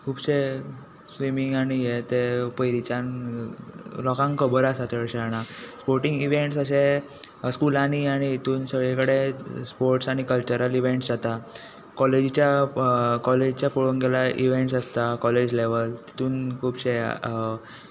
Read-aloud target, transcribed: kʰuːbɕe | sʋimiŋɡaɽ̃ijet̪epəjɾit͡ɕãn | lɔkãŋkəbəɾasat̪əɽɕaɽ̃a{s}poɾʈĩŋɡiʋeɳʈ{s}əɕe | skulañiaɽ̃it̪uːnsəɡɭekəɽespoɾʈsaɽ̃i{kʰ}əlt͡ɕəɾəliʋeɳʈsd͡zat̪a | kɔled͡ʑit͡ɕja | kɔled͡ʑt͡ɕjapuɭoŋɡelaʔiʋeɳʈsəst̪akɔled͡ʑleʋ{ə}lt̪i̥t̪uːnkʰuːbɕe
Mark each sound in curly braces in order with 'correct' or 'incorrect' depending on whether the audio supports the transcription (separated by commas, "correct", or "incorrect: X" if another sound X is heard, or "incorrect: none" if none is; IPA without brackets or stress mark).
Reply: correct, correct, incorrect: k, correct